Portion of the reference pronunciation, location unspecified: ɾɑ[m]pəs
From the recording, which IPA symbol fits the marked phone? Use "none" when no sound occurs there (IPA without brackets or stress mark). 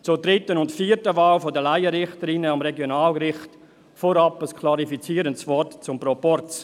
none